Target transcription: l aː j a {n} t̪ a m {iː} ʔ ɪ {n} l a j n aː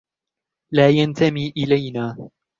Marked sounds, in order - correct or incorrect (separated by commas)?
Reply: correct, correct, incorrect